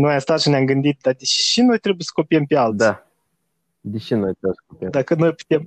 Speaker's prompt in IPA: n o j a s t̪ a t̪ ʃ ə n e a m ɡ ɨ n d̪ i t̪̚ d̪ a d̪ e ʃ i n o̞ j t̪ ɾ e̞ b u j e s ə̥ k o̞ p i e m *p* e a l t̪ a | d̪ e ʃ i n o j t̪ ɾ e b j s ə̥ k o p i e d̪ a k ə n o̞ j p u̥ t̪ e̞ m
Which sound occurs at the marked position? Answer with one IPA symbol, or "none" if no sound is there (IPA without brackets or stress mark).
p